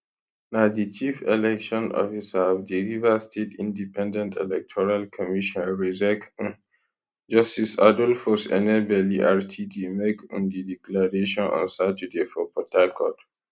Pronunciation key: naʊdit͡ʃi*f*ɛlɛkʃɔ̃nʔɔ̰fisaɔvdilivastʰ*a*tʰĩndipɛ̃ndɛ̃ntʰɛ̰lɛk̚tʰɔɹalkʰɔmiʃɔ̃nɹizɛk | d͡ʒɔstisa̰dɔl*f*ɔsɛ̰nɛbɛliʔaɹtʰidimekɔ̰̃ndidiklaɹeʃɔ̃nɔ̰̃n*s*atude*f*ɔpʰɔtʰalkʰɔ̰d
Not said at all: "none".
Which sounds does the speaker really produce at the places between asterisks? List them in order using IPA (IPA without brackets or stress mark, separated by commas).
f, e, f, s, f